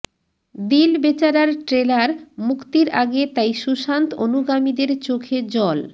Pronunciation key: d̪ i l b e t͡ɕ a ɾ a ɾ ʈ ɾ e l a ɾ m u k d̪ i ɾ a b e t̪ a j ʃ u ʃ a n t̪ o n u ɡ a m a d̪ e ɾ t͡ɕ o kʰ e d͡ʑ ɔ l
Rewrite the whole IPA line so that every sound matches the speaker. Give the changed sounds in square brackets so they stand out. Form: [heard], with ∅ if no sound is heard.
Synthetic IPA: d̪ i l b e t͡ɕ a ɾ a ɾ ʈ ɾ e l a ɾ m u k [t̪] i ɾ a [ɡ] e t̪ a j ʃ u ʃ a n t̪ o n u ɡ a m [i] d̪ e ɾ t͡ɕ o kʰ e d͡ʑ ɔ l